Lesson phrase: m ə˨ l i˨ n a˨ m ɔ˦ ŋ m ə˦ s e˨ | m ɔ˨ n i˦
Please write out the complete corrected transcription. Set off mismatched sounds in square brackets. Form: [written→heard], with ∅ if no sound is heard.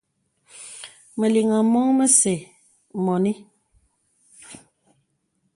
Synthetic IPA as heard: m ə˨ l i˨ [n→ŋ] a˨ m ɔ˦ ŋ m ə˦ s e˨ | m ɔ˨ n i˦